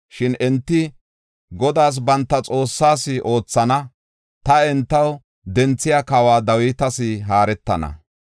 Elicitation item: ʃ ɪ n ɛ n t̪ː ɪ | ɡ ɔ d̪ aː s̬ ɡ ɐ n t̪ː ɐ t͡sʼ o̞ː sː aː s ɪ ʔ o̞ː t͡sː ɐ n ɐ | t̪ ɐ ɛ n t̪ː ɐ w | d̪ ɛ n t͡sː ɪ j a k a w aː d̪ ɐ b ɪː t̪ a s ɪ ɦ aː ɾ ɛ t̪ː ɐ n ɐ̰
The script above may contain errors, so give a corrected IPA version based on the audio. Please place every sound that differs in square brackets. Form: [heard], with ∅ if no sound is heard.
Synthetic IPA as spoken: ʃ ɪ n ɛ n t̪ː ɪ | ɡ ɔ d̪ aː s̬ [b] ɐ n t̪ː ɐ t͡sʼ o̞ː sː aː s ɪ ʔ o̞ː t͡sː ɐ n ɐ | t̪ ɐ ɛ n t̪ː ɐ w | d̪ ɛ n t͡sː ɪ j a k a w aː d̪ ɐ [w] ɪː t̪ [ɐ] s ɪ ɦ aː ɾ ɛ t̪ː ɐ n ɐ̰

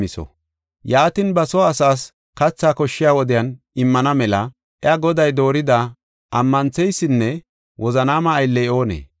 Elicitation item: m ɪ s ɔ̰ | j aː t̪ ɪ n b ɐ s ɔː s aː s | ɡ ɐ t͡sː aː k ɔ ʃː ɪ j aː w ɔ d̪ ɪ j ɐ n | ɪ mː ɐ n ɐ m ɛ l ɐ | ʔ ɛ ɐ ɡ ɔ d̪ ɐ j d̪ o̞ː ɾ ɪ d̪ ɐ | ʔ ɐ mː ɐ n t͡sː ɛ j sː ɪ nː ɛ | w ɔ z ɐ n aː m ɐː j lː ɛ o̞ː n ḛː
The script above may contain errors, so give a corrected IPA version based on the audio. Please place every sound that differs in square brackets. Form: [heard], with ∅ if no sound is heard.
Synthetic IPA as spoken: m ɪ s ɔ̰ | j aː t̪ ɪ n b ɐ s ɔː s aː s | [k] ɐ t͡sː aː k ɔ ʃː ɪ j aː w ɔ d̪ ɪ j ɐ n | ɪ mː ɐ n ɐ m ɛ l ɐ | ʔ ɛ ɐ ɡ ɔ d̪ ɐ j d̪ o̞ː ɾ ɪ d̪ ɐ | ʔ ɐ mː ɐ n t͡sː ɛ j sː ɪ nː ɛ | w ɔ z ɐ n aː m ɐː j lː ɛ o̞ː n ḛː

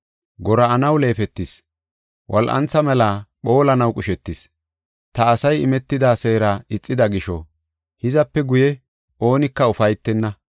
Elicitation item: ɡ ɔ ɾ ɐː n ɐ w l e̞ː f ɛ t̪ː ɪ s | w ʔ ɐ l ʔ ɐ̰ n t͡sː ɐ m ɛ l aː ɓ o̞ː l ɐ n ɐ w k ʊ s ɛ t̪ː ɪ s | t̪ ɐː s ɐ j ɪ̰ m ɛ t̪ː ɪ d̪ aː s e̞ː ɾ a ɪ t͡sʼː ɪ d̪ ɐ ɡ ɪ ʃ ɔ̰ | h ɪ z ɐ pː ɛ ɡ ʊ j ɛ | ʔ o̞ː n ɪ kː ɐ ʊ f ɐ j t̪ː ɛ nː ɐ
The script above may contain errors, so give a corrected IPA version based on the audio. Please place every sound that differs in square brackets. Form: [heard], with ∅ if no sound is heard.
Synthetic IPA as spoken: ɡ ɔ ɾ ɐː n ɐ w l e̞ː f ɛ t̪ː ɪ s | w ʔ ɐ l ʔ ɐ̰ n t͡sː ɐ m ɛ l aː ɓ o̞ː l ɐ n ɐ w [kʼ] ʊ [ʃ] ɛ t̪ː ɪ s | t̪ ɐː s ɐ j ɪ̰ m ɛ t̪ː ɪ d̪ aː s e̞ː ɾ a ɪ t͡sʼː ɪ d̪ ɐ ɡ ɪ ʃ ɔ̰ | h ɪ z ɐ pː ɛ ɡ ʊ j ɛ | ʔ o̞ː n ɪ kː ɐ ʊ f ɐ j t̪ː ɛ nː ɐ

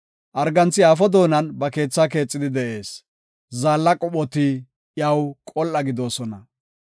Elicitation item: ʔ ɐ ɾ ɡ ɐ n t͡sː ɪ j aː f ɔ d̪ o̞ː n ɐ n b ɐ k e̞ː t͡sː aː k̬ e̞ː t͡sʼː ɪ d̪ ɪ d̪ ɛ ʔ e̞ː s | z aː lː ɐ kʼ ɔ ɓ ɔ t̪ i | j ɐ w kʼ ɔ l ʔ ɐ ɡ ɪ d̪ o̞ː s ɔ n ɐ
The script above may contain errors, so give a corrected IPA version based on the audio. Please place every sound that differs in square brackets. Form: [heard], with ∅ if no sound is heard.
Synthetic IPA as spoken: ʔ ɐ ɾ ɡ ɐ n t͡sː ɪ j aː f ɔ d̪ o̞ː n ɐ n b ɐ k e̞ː t͡sː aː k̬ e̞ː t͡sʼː ɪ d̪ ɪ d̪ ɛ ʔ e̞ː s | z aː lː ɐ kʼ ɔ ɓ ɔ t̪ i | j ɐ w kʼ ɔ l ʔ ɐ ɡ ɪ d̪ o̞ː s ɔ n ɐ

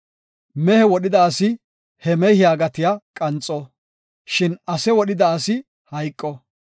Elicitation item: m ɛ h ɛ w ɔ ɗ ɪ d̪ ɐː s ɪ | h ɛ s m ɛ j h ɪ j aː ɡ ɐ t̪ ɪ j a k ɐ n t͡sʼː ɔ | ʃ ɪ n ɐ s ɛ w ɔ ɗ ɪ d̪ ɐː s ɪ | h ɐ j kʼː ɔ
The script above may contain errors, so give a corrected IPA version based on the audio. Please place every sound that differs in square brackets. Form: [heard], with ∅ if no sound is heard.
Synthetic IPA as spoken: m ɛ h ɛ w ɔ ɗ ɪ d̪ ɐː s ɪ | h ɛ [∅] m ɛ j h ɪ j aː ɡ ɐ t̪ ɪ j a [kʼ] ɐ n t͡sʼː ɔ | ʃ ɪ n ɐ s ɛ w ɔ ɗ ɪ d̪ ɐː s ɪ | h ɐ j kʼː ɔ

